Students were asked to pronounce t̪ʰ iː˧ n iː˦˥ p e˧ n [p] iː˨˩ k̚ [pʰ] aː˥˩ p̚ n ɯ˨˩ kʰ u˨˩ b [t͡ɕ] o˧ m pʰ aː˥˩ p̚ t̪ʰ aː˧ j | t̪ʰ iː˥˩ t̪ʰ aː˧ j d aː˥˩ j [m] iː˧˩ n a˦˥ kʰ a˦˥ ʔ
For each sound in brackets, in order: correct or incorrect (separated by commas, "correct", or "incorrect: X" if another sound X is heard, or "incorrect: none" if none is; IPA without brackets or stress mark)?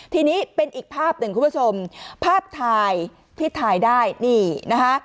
incorrect: ʔ, correct, incorrect: t͡ɕʰ, incorrect: n